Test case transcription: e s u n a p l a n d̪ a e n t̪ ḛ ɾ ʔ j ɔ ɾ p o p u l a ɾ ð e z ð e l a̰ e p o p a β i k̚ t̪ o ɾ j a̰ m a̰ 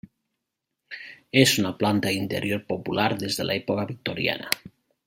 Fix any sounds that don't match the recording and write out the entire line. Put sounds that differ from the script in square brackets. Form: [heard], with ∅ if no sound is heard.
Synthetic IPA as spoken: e s u n a p l a n [t̪] a [i] n t̪ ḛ ɾ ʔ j [o] ɾ p o p u l a ɾ ð e z ð e l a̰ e p o [k] a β i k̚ t̪ o ɾ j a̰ [n] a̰